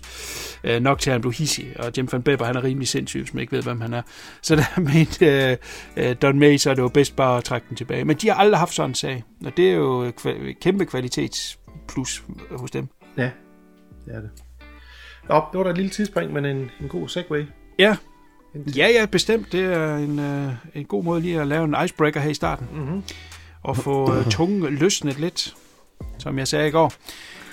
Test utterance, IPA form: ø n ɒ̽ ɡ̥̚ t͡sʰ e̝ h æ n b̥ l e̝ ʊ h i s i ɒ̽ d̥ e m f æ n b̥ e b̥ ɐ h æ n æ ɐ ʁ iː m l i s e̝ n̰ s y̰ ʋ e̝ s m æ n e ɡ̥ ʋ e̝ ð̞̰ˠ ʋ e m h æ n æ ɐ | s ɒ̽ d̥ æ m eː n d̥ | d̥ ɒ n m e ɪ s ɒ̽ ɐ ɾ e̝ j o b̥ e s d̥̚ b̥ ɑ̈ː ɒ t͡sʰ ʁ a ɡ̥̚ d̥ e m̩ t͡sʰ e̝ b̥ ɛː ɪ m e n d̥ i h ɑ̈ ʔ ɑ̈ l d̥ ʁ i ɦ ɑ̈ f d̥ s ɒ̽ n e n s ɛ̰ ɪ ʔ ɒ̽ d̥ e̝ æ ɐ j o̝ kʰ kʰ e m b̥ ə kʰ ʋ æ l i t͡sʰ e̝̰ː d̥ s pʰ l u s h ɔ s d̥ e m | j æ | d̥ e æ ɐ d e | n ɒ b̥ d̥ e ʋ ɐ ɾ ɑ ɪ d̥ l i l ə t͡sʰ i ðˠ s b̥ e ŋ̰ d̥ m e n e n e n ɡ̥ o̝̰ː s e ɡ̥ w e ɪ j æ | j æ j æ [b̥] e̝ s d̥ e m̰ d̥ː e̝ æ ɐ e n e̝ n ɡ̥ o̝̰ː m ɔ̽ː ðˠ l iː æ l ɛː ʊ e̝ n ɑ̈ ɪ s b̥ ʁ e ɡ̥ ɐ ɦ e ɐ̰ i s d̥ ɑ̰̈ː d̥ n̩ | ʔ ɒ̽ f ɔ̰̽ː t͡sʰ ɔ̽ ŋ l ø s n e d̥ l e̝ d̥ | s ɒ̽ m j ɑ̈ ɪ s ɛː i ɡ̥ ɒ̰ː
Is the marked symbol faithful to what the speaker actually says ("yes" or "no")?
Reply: yes